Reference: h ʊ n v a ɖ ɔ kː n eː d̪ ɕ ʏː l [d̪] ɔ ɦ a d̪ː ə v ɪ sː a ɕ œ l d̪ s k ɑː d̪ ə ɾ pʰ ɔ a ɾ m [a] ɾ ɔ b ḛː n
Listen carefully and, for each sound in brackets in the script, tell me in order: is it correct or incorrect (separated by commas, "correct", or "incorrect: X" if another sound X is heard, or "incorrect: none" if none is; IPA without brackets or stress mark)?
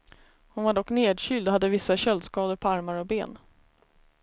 correct, correct